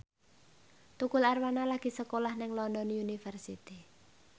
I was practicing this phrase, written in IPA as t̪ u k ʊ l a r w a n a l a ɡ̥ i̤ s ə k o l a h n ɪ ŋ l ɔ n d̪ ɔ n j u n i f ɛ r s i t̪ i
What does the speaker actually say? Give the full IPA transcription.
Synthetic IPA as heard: t̪ u k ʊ l a r w a n a l a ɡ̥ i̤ s ə k o l a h n ɪ ŋ l ɔ n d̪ ɔ n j u n i f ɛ r s i t̪ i